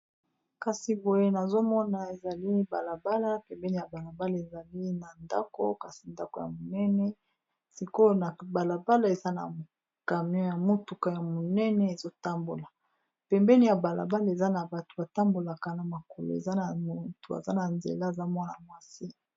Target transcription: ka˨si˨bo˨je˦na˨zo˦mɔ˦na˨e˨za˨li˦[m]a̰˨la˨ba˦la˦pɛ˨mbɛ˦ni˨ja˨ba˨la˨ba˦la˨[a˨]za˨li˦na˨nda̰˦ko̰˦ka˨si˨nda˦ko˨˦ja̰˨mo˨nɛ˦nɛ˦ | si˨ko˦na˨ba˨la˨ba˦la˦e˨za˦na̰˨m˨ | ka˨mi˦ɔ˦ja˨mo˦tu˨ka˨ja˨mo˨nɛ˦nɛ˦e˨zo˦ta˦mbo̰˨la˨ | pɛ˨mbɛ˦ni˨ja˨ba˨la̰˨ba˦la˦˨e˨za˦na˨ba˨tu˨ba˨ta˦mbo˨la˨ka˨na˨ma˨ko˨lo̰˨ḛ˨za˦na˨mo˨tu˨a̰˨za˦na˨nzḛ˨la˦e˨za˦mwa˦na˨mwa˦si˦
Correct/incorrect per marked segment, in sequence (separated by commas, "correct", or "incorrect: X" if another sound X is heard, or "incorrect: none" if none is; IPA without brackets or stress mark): incorrect: b, incorrect: e˨